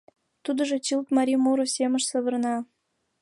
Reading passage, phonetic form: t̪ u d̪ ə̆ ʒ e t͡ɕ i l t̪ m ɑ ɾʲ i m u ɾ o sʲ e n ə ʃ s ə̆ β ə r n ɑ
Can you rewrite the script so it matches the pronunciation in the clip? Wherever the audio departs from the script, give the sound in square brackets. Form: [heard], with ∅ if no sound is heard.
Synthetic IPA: t̪ u d̪ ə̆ ʒ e t͡ɕ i l t̪ m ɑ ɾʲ i m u ɾ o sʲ e [m] ə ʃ s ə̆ β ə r n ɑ